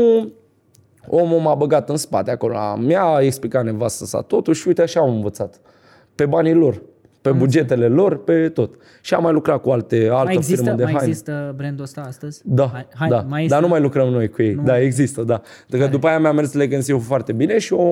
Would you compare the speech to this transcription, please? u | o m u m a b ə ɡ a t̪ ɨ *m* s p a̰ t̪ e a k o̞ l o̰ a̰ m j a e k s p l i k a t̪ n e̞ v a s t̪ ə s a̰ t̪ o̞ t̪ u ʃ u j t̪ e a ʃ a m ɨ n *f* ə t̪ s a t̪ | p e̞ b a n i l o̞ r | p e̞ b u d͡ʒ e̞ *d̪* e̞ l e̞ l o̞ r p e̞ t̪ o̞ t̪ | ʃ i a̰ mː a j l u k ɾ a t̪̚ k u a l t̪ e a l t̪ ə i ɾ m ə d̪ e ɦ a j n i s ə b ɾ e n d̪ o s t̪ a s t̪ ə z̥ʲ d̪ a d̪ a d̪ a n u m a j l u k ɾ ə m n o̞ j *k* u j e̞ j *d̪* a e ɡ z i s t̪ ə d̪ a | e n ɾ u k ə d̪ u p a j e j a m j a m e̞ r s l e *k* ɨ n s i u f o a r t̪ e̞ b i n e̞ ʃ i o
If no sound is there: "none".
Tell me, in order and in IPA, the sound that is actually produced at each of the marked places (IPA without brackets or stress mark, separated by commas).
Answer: n, v, t̪, k, d̪, ɡ